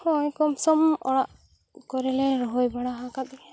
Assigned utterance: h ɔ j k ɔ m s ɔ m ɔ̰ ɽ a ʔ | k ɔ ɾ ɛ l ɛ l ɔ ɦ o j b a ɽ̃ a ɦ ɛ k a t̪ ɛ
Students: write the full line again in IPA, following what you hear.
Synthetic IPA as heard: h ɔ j k ɔ m s ɔ m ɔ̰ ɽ a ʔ | k ɔ ɾ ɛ l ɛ ɾ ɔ ɦ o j b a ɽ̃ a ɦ a k a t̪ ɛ